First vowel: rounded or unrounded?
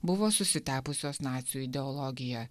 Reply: rounded